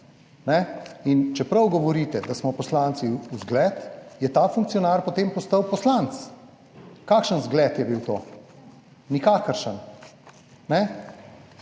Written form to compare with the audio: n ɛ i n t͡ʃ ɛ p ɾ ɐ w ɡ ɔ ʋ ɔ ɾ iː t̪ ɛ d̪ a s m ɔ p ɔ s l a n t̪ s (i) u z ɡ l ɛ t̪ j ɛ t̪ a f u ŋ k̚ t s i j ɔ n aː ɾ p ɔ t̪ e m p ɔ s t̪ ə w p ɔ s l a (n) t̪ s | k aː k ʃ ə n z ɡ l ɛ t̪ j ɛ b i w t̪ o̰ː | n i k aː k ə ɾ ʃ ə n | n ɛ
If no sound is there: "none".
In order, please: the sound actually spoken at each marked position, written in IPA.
i, n

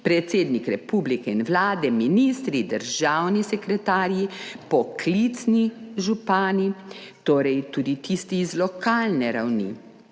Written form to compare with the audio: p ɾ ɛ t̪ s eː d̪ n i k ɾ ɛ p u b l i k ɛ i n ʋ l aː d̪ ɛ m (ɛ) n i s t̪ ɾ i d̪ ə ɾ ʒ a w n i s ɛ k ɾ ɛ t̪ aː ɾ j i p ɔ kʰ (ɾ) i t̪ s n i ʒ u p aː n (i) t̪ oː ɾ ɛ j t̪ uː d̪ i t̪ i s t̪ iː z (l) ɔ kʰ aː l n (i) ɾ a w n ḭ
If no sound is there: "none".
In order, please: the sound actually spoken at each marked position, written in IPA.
i, l, i, l, ɛ

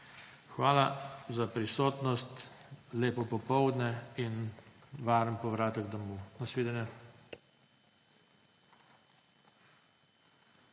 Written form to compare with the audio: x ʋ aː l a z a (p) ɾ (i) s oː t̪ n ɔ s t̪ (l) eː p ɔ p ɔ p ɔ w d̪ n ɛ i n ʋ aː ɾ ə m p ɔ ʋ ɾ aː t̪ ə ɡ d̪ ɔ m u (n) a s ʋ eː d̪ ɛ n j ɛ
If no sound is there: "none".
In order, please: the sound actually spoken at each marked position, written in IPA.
p, i, l, n

